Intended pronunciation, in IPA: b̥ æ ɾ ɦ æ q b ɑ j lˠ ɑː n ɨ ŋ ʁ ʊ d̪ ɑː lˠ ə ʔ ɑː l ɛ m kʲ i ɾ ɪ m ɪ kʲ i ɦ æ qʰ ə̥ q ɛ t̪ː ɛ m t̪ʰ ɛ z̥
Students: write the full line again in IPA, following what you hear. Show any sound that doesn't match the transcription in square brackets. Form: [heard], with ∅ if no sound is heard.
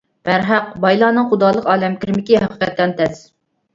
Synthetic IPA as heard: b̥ æ ɾ ɦ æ q b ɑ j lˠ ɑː n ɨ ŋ [χ] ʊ d̪ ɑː lˠ ə [q] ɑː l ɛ m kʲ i ɾ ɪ m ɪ kʲ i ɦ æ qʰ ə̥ q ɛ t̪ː ɛ [n] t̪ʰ ɛ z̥